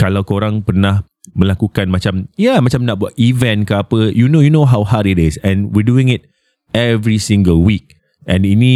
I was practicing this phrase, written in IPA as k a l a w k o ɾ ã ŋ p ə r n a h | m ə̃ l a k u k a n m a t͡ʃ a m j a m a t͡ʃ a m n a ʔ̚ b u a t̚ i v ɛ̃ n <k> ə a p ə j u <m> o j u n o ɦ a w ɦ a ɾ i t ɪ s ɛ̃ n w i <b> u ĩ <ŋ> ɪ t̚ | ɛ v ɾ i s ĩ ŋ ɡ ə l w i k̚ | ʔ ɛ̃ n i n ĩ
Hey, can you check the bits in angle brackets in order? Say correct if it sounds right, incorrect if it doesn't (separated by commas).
correct, incorrect, incorrect, correct